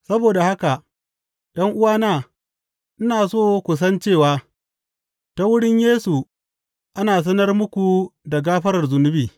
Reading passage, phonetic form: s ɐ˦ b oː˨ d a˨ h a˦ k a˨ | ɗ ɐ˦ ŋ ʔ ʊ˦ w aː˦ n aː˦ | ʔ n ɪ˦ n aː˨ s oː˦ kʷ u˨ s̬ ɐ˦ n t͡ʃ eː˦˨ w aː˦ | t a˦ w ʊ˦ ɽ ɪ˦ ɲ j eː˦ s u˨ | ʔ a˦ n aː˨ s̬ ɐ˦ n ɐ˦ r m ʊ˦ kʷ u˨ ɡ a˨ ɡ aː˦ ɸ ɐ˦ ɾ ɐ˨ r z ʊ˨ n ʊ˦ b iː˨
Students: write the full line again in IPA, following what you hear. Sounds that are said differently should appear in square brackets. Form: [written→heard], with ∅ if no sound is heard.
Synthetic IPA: s ɐ˦ b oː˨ d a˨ h a˦ k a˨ | ɗ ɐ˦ ŋ ʔ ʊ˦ w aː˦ n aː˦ | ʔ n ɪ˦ n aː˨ s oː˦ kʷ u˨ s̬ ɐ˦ n t͡ʃ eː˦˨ w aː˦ | t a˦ w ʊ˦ ɽ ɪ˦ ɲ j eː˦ s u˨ | ʔ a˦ n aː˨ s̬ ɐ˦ n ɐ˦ r m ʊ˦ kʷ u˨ [ɡ→d] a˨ ɡ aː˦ ɸ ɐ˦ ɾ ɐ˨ r z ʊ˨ n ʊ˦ b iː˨